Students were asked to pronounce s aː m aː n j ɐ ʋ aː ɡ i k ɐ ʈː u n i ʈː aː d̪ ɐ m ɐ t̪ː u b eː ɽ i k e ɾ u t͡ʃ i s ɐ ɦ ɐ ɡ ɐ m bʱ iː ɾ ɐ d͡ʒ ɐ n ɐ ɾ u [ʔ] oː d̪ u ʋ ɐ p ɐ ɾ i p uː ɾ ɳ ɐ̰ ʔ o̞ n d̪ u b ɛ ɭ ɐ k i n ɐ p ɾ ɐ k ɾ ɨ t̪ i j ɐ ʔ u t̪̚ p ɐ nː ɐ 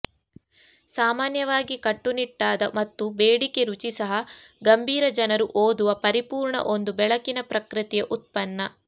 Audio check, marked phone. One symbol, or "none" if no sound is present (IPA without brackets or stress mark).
ʔ